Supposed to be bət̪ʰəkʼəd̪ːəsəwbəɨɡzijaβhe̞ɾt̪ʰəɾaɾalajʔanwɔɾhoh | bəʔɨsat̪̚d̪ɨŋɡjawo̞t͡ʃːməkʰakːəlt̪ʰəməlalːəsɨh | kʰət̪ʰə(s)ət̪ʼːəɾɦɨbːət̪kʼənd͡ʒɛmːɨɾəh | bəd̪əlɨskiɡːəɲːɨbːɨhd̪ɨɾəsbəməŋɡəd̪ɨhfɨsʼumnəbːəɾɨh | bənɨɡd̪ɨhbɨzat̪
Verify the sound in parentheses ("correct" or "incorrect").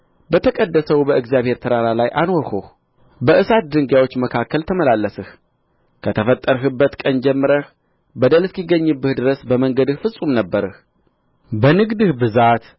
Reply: incorrect